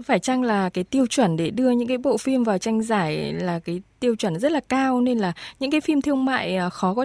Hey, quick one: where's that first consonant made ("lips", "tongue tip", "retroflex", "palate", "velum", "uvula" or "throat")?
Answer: lips